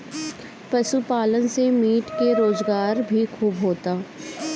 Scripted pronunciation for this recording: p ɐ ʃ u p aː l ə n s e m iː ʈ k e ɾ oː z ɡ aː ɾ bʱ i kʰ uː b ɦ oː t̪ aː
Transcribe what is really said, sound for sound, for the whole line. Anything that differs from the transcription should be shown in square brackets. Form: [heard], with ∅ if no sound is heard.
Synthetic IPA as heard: p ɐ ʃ u p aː l ə n s e m iː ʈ k e ɾ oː z ɡ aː ɾ bʱ i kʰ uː b ɦ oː t̪ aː